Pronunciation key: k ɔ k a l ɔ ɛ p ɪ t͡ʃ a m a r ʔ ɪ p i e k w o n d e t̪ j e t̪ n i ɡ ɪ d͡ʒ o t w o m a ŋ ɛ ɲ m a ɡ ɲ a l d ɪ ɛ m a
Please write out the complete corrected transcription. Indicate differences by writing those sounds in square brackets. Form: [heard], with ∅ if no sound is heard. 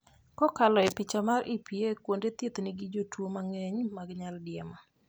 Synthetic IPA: k ɔ k a l ɔ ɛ p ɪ t͡ʃ a m a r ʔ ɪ p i e k w o n d e t̪ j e t̪ n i ɡ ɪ d͡ʒ o t w o m a ŋ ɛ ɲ m a ɡ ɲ a l d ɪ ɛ m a